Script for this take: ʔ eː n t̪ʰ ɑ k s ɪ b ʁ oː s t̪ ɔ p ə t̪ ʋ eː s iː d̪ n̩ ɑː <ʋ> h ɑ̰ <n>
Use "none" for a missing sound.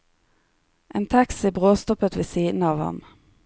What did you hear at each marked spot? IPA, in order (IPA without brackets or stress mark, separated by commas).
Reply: ʋ, m